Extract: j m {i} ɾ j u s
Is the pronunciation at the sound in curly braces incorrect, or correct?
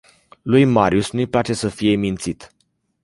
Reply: incorrect: a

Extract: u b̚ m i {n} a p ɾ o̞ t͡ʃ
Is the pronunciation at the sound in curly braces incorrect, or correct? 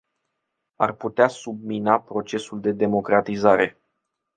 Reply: correct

